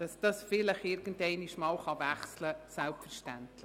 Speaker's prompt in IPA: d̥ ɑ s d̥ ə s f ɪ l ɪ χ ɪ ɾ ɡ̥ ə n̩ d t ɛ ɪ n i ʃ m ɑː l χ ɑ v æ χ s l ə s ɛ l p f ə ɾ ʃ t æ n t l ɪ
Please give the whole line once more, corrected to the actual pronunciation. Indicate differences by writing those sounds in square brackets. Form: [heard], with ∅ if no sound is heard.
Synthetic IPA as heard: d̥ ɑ s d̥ [ɑ] s f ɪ l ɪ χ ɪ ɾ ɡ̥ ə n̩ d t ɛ ɪ n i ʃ m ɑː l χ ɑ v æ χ s l ə s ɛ l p f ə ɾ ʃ t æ n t l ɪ